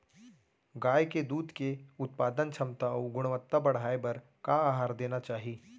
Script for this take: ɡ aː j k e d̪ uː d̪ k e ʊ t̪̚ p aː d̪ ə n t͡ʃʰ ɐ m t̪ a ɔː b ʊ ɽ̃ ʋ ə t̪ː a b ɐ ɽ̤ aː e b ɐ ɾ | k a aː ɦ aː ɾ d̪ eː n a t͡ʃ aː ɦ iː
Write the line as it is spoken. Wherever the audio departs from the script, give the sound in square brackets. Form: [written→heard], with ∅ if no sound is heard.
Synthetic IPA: ɡ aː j k e d̪ uː d̪ k e ʊ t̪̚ p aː d̪ ə n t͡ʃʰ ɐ m t̪ a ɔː [b→ɡ] ʊ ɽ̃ ʋ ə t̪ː a b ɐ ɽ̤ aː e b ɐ ɾ | k a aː ɦ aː ɾ d̪ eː n a t͡ʃ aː ɦ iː